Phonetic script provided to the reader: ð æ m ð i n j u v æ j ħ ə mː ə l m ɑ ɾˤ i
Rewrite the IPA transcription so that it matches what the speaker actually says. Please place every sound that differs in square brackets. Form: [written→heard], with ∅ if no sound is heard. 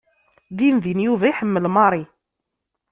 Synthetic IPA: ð [æ→i] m ð i n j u v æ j ħ ə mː ə l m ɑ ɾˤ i